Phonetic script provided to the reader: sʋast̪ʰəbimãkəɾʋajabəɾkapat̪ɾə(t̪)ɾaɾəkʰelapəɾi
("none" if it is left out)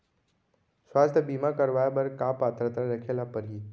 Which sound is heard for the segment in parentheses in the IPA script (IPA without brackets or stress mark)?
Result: t̪